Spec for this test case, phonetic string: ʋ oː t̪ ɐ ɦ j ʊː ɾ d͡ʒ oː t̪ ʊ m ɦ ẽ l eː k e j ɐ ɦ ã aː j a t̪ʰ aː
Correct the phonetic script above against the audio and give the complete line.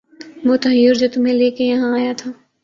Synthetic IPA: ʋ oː t̪ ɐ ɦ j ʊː ɾ d͡ʒ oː t̪ ʊ m ɦ ẽ l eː k e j ɐ ɦ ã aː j a t̪ʰ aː

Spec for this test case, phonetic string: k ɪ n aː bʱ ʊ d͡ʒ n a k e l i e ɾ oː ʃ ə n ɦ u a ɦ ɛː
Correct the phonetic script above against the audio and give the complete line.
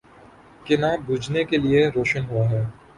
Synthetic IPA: k ɪ n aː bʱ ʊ d͡ʒ n e k e l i e ɾ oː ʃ ə n ɦ u a ɦ ɛː

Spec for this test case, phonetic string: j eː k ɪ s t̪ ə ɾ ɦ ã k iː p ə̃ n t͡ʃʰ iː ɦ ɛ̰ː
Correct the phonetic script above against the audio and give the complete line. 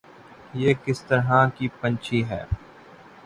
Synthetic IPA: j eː k ɪ s t̪ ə ɾ ɦ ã k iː p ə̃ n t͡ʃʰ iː ɦ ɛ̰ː

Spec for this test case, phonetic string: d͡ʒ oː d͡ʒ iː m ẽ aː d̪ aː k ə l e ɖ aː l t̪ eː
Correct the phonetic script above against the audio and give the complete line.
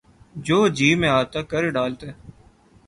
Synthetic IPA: d͡ʒ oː d͡ʒ iː m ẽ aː t̪ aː k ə ɾ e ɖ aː l t̪ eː

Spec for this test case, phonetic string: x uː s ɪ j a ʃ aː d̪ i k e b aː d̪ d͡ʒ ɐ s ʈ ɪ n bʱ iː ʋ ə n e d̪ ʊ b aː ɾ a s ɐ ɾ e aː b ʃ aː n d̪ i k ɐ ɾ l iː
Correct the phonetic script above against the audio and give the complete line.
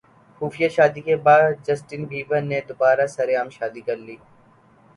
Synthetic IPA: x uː f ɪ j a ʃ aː d̪ i k e b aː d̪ d͡ʒ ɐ s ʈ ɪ n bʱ iː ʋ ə n e d̪ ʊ b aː ɾ a s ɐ ɾ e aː m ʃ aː d̪ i k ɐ ɾ l iː

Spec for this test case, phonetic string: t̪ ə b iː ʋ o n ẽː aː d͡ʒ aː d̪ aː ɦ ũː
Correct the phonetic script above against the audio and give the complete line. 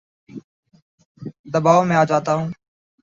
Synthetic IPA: d̪ ə b aː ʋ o m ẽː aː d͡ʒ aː t̪ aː ɦ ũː

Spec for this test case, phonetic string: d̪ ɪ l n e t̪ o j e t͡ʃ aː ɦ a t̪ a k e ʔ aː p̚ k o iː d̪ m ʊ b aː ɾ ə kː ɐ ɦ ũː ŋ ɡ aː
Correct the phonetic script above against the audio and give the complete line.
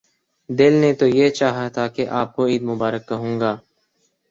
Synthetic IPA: d̪ ɪ l n e t̪ o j e t͡ʃ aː ɦ a t̪ʰ a k e ʔ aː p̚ k o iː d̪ m ʊ b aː ɾ ə kː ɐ ɦ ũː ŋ ɡ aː

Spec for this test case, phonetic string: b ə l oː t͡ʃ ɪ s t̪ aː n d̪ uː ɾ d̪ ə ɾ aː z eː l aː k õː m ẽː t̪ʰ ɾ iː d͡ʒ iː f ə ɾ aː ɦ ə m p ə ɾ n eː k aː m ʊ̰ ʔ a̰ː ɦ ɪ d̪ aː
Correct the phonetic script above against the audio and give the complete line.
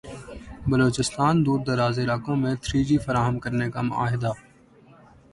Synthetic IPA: b ə l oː t͡ʃ ɪ s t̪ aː n d̪ uː ɾ d̪ ə ɾ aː z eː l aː k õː m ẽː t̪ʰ ɾ iː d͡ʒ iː f ə ɾ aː ɦ ə m k ə ɾ n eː k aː m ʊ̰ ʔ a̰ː ɦ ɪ d̪ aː

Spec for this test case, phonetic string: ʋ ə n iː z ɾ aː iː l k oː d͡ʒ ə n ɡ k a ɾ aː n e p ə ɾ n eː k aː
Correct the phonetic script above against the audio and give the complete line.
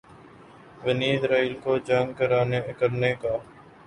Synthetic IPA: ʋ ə n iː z ɾ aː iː l k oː d͡ʒ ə ŋ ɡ k ə ɾ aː n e k ə ɾ n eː k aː

